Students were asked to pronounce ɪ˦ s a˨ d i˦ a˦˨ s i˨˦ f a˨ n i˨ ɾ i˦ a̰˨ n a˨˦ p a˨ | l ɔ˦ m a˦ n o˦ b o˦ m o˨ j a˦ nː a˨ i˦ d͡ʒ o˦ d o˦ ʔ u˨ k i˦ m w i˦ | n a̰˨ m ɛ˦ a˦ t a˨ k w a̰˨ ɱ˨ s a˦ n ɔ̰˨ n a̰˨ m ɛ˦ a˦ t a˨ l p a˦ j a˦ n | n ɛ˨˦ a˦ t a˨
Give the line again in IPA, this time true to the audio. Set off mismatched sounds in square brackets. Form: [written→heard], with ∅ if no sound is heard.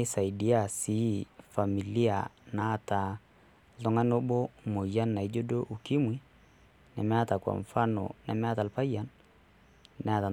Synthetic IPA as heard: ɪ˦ s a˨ d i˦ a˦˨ s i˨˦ f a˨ [n→m] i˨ [ɾ→l] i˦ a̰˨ n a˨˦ [p→t] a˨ | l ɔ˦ [m→ŋ] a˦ n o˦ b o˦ m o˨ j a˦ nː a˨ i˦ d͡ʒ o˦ d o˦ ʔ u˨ k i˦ m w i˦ | n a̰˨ m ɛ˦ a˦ t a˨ k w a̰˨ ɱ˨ [s→f] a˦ n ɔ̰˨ n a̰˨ m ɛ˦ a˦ t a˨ l p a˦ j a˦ n | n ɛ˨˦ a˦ t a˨

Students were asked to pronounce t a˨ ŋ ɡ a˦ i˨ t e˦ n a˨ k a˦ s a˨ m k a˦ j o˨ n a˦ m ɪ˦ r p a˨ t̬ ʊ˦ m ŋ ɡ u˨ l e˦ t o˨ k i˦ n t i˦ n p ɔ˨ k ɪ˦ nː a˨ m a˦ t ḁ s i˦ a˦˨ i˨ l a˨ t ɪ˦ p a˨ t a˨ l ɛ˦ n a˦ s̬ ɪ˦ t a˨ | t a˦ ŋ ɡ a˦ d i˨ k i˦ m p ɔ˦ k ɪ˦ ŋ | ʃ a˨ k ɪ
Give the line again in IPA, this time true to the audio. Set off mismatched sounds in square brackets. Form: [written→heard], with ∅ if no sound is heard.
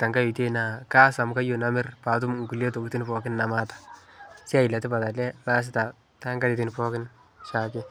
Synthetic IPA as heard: t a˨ ŋ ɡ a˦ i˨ t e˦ n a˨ k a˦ s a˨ m k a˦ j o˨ n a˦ m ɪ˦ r p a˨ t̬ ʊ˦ m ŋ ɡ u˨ l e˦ t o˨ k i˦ [n→∅] t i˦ n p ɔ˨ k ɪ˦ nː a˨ m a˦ t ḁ s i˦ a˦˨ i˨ l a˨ t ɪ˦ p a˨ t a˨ l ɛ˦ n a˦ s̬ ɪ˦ t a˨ | t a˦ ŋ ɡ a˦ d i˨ [k→t] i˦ [m→n] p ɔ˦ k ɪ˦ [ŋ→n] | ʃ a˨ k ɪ

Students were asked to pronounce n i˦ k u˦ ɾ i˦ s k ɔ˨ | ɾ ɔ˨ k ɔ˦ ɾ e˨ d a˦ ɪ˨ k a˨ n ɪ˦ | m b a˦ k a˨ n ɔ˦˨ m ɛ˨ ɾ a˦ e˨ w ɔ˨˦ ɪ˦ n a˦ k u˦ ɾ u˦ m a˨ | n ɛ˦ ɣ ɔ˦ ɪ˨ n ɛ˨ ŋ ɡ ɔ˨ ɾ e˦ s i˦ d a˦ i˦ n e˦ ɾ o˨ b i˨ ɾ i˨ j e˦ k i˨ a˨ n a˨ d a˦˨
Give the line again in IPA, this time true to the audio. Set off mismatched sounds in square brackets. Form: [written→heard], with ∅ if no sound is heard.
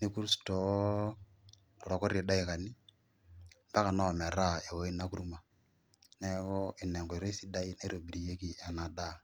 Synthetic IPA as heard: n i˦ k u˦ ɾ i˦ s [k→t] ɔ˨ | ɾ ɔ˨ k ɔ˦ ɾ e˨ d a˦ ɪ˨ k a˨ n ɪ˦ | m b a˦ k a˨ n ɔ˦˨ m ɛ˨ ɾ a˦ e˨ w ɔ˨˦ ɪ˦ n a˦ k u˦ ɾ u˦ m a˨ | n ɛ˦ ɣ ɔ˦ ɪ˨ n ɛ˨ ŋ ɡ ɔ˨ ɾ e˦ s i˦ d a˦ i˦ n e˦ ɾ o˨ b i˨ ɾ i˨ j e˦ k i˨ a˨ n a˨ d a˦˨

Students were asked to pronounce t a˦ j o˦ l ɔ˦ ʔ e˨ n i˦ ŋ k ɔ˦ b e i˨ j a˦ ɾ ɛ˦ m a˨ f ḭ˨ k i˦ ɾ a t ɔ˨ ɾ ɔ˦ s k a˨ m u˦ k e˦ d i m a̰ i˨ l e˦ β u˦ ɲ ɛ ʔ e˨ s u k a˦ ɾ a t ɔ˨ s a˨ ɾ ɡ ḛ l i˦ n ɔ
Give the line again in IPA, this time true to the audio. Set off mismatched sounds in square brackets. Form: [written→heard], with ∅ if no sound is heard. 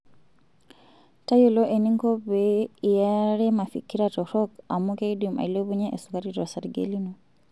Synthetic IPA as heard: t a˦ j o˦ l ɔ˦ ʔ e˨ n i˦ ŋ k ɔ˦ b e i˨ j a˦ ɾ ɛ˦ m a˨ f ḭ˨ k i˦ ɾ a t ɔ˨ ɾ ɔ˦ [s→∅] k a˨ m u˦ k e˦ d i m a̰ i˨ l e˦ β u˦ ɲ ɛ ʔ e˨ s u k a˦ ɾ [a→i] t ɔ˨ s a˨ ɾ ɡ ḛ l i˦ n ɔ

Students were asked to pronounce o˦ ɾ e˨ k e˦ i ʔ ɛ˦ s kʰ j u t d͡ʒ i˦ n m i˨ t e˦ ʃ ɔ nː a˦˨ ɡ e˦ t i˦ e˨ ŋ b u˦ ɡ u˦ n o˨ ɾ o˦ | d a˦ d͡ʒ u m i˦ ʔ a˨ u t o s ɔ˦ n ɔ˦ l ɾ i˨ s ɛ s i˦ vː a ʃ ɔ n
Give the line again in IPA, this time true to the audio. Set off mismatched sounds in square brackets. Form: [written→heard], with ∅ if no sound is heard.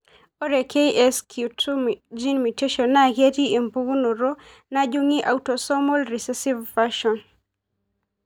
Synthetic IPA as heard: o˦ ɾ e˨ k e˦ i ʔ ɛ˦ s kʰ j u t d͡ʒ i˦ n m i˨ t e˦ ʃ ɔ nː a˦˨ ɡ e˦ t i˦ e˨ [ŋ→m] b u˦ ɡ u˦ n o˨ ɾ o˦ | [d→n] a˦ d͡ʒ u [m→ŋ] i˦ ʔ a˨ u t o s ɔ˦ [n→m] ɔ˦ l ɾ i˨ s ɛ s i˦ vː a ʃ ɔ n

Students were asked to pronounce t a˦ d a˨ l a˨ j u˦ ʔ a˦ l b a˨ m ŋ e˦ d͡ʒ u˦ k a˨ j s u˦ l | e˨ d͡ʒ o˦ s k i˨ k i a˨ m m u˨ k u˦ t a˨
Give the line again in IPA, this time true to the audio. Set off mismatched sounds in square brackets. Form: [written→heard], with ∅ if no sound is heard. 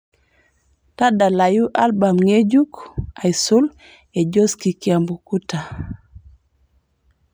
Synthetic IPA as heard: t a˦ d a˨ l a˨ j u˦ ʔ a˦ l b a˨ m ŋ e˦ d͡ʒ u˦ k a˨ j s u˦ l | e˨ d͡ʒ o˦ s k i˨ k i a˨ m [m→b] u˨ k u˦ t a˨

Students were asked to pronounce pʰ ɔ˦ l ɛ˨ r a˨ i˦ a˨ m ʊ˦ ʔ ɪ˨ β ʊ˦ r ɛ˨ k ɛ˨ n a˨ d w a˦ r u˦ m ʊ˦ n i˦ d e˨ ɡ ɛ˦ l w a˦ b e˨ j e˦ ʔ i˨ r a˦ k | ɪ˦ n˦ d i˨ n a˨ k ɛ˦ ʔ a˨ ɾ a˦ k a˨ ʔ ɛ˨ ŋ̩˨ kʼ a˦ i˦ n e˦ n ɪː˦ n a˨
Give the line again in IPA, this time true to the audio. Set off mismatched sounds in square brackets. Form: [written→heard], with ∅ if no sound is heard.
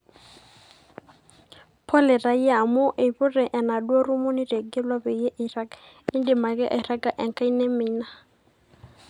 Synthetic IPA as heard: pʰ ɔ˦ l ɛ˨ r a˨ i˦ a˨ m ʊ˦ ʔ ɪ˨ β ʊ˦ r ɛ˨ [k→ʔ] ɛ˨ n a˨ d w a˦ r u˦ m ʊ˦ n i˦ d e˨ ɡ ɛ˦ l w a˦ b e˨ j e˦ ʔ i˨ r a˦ k | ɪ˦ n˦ d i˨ [n→m] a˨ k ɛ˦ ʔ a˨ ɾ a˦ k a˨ ʔ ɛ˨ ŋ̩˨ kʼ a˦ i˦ n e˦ [n→m] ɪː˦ n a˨

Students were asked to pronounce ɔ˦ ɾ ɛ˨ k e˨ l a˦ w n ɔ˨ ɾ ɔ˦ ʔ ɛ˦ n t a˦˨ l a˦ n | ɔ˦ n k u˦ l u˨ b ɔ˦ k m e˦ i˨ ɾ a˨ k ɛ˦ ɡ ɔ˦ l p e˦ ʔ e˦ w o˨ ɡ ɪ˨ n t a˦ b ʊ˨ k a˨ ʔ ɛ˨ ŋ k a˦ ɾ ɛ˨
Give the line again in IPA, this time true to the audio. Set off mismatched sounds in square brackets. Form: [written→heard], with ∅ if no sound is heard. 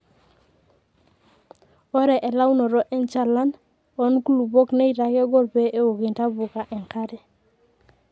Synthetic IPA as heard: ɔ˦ ɾ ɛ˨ [k→ʔ] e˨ l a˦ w n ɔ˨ ɾ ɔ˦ ʔ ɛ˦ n [t→t͡ʃ] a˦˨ l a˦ n | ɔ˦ n k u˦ l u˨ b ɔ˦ k [m→n] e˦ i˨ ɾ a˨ k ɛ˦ ɡ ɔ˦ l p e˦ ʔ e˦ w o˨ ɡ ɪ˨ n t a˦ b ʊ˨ k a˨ ʔ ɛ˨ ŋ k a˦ ɾ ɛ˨

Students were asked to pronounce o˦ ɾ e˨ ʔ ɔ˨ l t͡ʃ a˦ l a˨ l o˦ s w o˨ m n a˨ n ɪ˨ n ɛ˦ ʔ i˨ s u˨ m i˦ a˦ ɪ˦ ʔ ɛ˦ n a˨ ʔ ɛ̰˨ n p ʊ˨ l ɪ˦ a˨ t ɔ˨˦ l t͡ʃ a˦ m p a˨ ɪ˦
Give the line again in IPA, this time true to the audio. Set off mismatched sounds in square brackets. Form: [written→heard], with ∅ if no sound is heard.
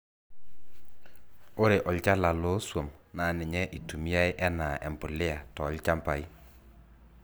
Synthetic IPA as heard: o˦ ɾ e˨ ʔ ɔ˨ l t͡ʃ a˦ l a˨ l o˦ s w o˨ m n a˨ n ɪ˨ [n→ɲ] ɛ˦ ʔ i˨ [s→t] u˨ m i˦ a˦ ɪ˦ ʔ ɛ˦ n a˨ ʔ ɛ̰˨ [n→m] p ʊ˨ l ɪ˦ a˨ t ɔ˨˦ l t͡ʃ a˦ m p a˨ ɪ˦

